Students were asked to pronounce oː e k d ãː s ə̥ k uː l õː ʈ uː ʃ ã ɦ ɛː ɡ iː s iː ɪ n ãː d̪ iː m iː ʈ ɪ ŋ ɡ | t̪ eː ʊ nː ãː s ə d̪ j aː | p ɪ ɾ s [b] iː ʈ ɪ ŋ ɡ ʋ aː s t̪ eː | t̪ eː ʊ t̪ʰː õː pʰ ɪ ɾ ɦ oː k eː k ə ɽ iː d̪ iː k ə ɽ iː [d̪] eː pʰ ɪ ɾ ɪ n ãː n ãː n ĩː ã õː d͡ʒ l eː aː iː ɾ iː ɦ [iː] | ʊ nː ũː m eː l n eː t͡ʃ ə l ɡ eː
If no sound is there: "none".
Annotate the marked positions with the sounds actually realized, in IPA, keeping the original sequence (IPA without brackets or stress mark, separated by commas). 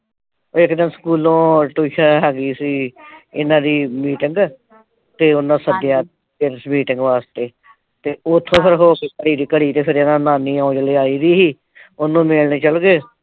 m, t̪, iː